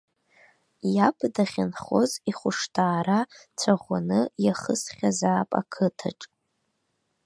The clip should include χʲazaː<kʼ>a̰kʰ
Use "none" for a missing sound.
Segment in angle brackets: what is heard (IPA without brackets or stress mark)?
pʼ